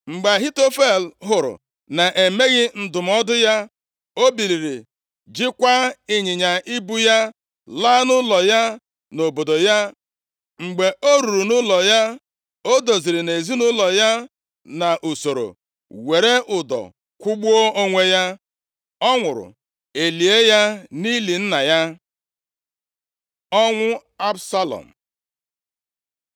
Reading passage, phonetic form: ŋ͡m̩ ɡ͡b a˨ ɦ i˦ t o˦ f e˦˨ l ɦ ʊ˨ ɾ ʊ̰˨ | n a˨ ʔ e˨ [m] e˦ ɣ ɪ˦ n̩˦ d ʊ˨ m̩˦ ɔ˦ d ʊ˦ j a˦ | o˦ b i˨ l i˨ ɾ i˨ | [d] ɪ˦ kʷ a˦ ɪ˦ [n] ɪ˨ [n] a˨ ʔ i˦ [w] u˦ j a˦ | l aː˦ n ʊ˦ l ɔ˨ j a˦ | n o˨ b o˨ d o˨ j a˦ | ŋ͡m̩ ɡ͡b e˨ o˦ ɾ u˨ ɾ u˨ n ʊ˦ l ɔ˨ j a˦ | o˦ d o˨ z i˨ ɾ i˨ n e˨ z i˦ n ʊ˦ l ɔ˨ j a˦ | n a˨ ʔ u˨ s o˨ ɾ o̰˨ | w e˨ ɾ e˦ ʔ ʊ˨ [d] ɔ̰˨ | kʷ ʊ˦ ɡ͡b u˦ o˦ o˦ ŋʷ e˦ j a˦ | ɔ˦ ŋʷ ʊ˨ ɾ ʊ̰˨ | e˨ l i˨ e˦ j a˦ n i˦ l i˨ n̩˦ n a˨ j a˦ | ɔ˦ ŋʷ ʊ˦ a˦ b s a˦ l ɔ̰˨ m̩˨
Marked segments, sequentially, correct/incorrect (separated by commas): correct, incorrect, incorrect, incorrect, incorrect, correct